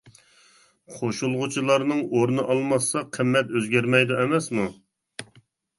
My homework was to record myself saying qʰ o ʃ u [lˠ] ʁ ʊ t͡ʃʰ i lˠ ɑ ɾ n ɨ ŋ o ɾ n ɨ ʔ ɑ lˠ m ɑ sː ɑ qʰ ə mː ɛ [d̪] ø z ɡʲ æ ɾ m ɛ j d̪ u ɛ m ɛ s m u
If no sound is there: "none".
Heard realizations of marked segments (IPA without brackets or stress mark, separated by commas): lˠ, t̪